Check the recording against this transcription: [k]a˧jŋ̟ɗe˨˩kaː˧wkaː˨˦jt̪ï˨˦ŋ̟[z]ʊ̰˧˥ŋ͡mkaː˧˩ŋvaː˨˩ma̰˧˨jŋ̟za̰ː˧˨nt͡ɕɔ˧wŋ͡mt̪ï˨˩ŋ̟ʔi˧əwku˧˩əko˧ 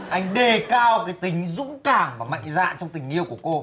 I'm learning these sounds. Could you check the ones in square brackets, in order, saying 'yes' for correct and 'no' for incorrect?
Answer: no, yes

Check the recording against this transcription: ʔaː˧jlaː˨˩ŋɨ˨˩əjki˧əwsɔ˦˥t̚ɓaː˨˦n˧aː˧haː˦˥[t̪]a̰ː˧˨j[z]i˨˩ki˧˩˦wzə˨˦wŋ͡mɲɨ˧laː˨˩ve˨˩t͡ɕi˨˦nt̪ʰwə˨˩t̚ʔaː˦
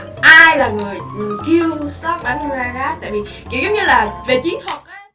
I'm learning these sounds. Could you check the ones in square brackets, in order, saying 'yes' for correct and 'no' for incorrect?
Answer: yes, no

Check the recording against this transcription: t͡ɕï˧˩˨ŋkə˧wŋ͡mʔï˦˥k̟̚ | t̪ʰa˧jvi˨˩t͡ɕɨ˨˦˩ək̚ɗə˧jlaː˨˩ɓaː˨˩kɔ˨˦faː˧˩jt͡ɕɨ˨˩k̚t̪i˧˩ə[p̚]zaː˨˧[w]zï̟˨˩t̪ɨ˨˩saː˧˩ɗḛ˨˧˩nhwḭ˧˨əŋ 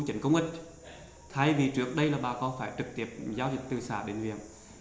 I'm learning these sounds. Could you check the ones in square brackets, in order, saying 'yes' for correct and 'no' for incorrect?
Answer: yes, yes

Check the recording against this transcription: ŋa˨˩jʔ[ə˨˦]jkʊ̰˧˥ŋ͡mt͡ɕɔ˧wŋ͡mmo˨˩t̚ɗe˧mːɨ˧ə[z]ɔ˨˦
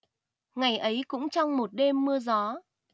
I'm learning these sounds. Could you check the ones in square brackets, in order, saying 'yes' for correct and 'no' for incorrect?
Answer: yes, yes

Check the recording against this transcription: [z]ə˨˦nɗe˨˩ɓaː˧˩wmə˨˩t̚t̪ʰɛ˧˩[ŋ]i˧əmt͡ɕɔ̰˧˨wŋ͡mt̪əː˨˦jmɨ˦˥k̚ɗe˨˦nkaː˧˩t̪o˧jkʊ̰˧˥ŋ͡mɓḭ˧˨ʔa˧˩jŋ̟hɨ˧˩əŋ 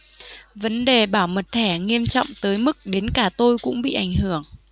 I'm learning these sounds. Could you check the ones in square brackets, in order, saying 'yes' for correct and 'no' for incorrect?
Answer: no, yes

